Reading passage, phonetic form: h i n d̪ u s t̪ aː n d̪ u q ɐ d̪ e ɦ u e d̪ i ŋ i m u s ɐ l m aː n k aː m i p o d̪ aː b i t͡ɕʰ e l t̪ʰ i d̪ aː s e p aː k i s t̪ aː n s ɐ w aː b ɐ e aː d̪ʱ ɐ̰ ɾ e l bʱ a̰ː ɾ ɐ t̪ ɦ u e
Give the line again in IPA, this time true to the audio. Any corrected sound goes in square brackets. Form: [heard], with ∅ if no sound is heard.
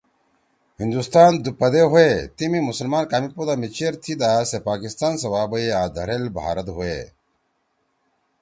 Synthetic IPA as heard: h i n d̪ u s t̪ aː n d̪ u [p] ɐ d̪ e ɦ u e [t̪] i [m] i m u s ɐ l m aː n k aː m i p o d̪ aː [m] i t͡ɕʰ e [ɾ] t̪ʰ i d̪ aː s e p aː k i s t̪ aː n s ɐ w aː b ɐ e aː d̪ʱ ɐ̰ ɾ e l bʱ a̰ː ɾ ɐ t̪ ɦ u e

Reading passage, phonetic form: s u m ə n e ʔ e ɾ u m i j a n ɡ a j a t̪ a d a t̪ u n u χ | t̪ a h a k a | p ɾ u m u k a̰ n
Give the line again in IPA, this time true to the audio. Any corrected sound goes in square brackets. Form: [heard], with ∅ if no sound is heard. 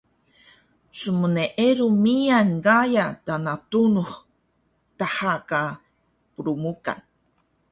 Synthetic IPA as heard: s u m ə n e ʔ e ɾ u m i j a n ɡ a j a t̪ a [n] a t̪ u n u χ | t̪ a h a k a | p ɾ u m u k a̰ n

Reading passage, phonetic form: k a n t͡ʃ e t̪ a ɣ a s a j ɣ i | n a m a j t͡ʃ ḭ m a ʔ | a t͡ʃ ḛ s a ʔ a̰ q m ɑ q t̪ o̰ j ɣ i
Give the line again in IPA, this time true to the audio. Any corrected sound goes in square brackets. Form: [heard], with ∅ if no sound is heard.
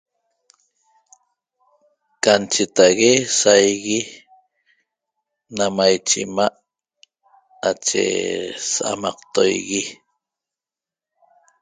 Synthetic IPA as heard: k a n t͡ʃ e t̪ a ɣ [e] s a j ɣ i | n a m a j t͡ʃ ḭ m a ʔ | a t͡ʃ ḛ s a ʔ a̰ [∅] m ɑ q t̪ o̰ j ɣ i

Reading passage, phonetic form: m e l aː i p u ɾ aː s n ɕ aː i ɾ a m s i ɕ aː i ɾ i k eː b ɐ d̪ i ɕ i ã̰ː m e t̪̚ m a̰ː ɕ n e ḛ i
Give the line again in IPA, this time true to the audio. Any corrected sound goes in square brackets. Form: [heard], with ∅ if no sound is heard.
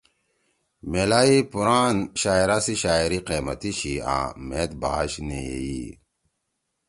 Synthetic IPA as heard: m e l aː i p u ɾ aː [∅] n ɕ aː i ɾ a [∅] s i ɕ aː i ɾ i [q] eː [m] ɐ [t̪] i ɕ i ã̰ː m e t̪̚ [b] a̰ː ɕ n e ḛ i

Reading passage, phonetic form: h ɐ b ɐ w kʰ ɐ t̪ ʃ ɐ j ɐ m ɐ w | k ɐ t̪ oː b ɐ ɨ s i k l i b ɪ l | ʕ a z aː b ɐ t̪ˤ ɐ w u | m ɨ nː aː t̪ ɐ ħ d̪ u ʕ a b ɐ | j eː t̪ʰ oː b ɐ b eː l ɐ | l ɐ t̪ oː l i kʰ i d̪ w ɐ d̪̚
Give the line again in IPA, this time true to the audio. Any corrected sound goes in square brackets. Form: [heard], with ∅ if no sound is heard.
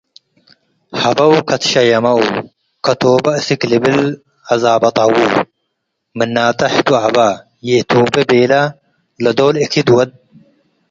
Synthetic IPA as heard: h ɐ b ɐ w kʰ ɐ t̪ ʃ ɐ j ɐ m ɐ w | k ɐ t̪ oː b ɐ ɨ s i k l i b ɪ l | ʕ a z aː b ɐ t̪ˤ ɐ w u | m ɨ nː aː t̪ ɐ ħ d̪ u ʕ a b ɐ | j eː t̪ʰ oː b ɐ b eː l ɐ | l ɐ [d̪] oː l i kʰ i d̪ w ɐ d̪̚

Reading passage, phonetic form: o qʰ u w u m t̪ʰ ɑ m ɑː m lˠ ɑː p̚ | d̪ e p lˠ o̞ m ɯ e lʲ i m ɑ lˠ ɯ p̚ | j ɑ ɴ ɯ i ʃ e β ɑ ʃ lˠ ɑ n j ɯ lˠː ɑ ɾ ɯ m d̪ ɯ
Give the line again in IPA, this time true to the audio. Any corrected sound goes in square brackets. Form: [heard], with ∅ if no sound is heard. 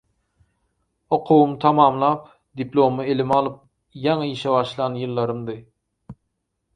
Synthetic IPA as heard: o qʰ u w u m t̪ʰ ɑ m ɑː m lˠ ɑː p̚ | d̪ [i] p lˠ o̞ m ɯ e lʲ i m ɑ lˠ ɯ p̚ | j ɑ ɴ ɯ i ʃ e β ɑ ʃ lˠ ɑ n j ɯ lˠː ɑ ɾ ɯ m d̪ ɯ

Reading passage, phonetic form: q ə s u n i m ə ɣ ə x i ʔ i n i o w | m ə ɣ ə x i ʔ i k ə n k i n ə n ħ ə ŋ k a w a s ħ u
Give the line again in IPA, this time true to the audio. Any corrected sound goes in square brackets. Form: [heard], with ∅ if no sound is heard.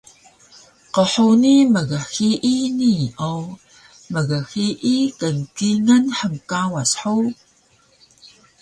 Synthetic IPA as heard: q ə [ħ] u n i m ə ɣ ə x i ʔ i n i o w | m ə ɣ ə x i ʔ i k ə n k i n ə n ħ ə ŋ k a w a s ħ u

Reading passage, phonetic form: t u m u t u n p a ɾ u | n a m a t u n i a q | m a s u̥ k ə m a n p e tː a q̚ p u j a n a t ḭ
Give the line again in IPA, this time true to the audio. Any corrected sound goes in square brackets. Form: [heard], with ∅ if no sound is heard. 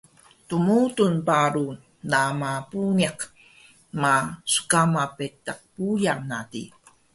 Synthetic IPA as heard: t u m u t u n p a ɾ u | n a m a [p] u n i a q | m a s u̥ k [a] m a [∅] p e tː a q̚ p u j a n a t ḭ

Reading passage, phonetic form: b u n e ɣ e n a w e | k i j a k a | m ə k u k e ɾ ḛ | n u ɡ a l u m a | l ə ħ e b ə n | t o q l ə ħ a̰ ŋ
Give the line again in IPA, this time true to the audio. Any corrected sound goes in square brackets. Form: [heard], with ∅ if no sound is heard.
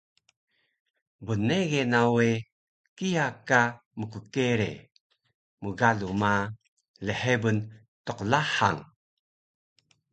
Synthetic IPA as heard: b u n e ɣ e n a w e | k i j a k a | m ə k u k e ɾ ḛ | [m] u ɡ a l u m a | l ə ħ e b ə n | t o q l [a] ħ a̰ ŋ

